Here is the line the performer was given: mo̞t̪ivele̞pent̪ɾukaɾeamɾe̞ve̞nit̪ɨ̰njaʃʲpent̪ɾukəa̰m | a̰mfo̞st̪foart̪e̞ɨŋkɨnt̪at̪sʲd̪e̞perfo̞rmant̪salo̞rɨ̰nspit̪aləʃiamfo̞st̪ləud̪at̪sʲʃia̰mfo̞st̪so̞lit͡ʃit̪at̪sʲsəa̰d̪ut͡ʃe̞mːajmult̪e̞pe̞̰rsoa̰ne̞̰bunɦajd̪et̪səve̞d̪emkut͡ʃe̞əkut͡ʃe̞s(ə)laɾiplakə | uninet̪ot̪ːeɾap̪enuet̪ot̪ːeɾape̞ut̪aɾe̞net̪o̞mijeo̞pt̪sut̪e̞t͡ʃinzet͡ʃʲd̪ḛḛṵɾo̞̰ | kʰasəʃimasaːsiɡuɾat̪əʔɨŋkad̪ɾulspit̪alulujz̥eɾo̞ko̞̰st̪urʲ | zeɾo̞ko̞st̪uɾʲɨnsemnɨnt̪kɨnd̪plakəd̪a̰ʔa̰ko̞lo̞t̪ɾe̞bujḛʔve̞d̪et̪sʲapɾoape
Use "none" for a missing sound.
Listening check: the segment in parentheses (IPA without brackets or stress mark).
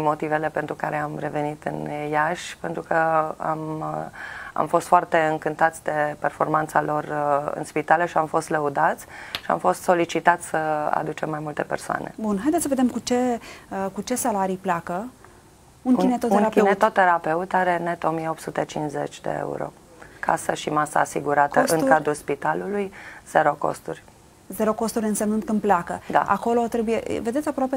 a